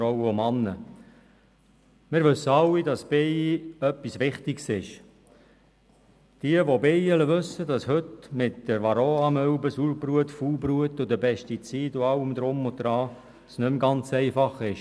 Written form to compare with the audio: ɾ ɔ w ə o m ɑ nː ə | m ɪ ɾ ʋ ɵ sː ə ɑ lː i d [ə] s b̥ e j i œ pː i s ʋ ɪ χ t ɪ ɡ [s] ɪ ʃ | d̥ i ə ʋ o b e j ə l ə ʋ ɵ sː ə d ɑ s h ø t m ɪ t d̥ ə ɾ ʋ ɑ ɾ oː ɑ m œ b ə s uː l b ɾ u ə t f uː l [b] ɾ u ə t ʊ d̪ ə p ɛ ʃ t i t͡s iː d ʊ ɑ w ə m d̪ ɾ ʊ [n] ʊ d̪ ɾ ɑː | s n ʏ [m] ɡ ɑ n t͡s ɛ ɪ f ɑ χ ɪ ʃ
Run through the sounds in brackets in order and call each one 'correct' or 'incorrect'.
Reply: incorrect: ɑ, correct, correct, incorrect: m, correct

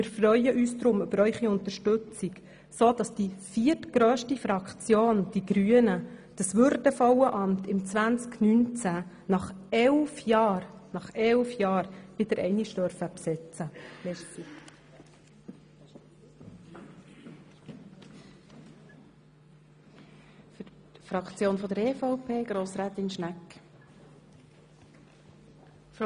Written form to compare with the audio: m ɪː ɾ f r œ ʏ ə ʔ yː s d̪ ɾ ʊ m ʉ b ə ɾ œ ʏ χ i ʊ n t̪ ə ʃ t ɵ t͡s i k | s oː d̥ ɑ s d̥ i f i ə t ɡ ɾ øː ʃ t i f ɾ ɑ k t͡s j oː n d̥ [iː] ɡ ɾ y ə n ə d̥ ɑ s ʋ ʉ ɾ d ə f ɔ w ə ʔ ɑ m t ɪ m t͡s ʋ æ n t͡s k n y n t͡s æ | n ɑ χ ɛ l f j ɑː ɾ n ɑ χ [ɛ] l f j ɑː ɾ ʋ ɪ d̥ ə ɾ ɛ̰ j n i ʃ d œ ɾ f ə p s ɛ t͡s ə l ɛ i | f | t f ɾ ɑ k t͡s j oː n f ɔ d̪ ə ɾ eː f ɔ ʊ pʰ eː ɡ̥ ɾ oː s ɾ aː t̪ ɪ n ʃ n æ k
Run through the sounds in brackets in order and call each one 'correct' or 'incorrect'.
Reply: incorrect: i, correct

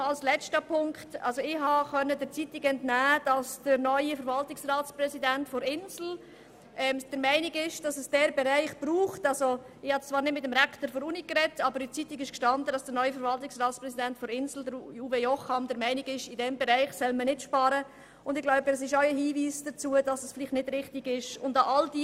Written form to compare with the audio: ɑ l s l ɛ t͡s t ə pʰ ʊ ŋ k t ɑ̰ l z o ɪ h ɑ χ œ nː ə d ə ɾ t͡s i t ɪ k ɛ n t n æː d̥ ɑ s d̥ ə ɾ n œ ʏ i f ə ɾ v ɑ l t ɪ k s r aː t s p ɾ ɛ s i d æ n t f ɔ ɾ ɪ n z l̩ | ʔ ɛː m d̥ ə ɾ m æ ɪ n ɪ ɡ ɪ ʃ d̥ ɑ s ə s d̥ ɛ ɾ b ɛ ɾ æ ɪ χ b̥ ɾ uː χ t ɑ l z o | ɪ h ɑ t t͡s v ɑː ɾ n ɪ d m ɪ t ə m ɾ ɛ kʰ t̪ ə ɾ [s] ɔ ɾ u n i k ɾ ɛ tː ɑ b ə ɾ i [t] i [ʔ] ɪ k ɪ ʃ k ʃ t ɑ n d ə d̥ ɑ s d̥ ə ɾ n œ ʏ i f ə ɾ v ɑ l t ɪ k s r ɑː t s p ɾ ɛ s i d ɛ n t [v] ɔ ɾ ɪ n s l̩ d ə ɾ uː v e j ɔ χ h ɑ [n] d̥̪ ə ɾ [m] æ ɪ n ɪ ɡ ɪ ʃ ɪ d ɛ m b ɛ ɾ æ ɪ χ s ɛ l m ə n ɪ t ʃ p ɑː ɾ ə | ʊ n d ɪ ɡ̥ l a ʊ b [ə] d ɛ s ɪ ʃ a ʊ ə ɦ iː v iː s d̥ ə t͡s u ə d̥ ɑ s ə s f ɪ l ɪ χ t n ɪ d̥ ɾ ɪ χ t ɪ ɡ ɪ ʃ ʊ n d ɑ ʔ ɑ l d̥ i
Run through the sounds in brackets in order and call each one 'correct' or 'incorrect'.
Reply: incorrect: f, incorrect: t͡s, incorrect: t, incorrect: f, incorrect: m, correct, correct

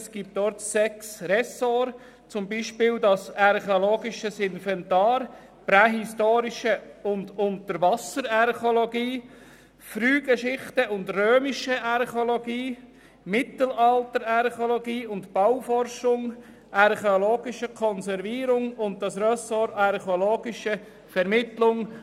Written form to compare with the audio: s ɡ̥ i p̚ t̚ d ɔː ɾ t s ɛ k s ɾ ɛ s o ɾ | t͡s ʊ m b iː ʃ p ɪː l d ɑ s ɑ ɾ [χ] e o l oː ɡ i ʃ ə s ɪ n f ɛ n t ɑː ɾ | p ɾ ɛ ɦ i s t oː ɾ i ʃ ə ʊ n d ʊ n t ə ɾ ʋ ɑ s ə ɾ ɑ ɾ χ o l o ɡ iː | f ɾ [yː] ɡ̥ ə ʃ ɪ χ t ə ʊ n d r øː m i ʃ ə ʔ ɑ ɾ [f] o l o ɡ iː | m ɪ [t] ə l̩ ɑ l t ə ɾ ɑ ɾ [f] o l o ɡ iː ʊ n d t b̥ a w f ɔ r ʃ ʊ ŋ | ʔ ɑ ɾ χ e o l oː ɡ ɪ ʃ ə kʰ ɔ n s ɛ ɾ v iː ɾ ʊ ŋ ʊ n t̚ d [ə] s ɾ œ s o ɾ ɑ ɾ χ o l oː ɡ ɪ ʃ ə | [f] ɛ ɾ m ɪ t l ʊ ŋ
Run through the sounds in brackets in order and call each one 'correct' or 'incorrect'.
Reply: correct, correct, incorrect: χ, correct, incorrect: χ, incorrect: ɑ, correct

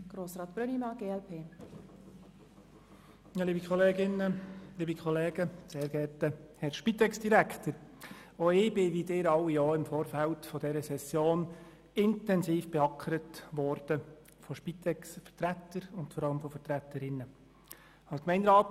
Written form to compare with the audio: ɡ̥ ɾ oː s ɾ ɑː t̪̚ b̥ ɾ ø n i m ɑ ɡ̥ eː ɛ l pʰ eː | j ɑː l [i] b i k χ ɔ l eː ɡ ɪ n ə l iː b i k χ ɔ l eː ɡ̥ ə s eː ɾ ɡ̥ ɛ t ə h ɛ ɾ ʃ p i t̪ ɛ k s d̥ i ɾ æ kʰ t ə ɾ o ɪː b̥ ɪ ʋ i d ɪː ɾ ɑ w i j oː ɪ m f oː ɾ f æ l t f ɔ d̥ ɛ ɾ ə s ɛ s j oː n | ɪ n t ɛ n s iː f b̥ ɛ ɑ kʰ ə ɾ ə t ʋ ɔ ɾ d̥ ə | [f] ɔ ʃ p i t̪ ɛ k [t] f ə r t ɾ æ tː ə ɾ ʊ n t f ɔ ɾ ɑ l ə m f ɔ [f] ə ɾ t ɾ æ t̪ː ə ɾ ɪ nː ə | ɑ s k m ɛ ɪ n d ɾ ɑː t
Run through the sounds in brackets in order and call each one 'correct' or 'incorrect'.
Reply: incorrect: iː, correct, incorrect: s, correct

